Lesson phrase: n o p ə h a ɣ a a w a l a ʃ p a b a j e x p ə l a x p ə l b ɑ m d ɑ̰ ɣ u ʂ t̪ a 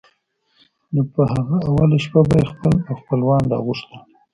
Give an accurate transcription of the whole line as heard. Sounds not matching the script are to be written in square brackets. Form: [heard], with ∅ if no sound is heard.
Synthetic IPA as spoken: n o p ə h a ɣ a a w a l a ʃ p a b a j e x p ə l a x p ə l [w] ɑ [n] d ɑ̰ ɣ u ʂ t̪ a